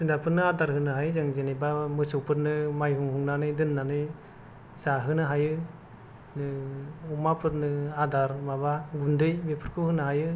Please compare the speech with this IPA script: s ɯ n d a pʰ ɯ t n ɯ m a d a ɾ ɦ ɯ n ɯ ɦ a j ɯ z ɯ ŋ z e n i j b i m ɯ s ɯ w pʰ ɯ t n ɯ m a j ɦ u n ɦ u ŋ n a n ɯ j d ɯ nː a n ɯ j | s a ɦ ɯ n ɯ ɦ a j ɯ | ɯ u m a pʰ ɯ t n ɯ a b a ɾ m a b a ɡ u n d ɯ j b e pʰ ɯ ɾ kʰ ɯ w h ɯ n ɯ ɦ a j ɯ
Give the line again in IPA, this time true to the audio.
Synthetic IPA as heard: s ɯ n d a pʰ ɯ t n ɯ a d a ɾ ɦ ɯ n ɯ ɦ a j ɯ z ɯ ŋ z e n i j b a m ɯ s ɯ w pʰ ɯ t n ɯ m a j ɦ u ŋ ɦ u ŋ n a n ɯ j d ɯ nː a n ɯ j | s a ɦ ɯ n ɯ ɦ a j ɯ | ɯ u m a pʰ ɯ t n ɯ a d a ɾ m a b a ɡ u n d ɯ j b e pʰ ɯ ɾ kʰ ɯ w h ɯ n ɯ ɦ a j ɯ